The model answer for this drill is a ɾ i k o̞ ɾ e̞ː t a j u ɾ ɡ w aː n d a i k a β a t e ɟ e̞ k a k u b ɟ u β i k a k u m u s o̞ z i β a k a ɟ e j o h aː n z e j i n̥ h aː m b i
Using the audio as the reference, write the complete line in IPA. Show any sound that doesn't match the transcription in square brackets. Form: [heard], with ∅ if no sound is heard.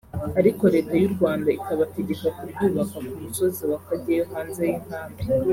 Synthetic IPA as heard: a ɾ i k o̞ ɾ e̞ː t a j u ɾ ɡ w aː n d a i k a β a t e ɟ e̞ k a k u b ɟ [uː] β [a] k a k u m u s o̞ z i [w] a k a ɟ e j o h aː n z e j i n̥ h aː m b i